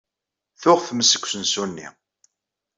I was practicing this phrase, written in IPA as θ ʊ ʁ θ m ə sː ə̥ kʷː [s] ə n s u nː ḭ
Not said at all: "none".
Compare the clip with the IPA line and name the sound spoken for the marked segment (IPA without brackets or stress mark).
s